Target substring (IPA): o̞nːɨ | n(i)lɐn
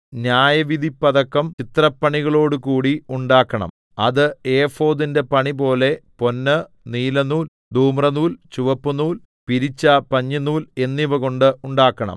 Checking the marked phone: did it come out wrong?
yes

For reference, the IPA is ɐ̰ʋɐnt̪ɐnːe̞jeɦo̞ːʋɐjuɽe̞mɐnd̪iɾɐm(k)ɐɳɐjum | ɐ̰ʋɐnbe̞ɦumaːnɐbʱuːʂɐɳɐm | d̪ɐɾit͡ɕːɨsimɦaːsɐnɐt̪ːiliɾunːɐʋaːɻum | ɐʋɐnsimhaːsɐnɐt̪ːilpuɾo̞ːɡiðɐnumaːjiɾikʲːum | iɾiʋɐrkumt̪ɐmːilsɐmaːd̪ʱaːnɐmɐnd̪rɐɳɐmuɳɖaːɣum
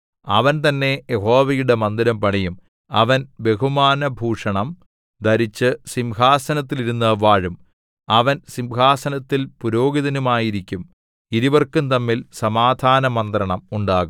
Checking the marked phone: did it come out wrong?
yes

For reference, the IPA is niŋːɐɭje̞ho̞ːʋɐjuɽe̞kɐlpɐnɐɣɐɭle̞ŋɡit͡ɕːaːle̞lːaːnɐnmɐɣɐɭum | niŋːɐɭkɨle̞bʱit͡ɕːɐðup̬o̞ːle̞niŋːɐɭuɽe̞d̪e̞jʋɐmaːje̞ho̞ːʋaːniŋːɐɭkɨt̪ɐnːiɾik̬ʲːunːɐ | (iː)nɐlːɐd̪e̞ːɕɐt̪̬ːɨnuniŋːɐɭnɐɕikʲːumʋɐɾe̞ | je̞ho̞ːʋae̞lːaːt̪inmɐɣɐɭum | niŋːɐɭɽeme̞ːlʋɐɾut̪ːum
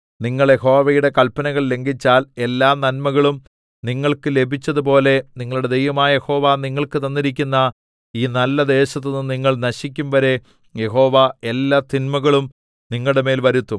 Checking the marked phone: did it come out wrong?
no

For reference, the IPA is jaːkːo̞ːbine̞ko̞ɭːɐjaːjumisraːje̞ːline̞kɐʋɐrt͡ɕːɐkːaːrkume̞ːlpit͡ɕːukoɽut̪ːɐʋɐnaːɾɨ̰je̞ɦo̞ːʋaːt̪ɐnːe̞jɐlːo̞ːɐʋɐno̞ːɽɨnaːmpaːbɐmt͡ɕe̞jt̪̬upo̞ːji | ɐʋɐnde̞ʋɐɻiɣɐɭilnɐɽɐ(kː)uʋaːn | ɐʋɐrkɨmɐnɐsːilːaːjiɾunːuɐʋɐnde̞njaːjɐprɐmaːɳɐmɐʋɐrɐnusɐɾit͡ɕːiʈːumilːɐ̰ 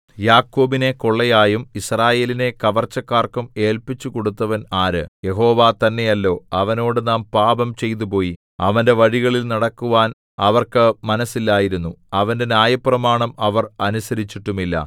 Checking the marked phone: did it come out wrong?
no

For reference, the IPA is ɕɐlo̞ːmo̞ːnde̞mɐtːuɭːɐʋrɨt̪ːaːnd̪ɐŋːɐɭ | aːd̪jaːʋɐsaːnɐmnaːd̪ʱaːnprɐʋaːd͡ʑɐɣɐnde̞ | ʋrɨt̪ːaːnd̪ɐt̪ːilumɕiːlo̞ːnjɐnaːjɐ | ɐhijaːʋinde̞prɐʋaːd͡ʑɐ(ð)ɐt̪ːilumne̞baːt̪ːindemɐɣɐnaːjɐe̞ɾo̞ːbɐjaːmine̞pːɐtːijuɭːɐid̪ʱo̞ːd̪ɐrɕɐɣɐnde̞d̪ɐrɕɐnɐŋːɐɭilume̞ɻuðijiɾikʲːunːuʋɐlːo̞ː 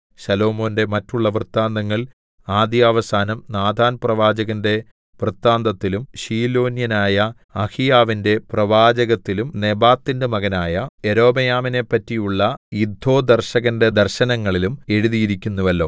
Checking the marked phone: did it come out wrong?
yes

